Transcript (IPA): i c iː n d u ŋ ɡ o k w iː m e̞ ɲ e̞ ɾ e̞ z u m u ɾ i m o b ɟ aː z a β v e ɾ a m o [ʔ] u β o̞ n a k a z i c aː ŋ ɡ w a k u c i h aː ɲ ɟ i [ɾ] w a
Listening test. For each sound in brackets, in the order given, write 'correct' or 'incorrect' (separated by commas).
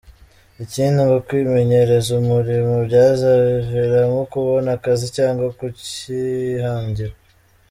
incorrect, correct